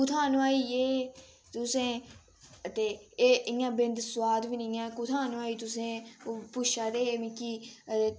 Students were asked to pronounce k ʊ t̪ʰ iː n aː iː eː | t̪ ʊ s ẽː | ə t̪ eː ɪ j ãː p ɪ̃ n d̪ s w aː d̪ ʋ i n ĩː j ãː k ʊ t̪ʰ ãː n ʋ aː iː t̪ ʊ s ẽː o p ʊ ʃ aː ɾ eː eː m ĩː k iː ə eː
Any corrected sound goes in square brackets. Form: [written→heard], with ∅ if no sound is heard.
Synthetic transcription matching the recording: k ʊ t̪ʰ [iː→aː] n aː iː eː | t̪ ʊ s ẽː | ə t̪ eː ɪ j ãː [p→b] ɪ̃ n d̪ s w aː d̪ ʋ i n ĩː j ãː k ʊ t̪ʰ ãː n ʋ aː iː t̪ ʊ s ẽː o p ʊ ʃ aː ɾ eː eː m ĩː k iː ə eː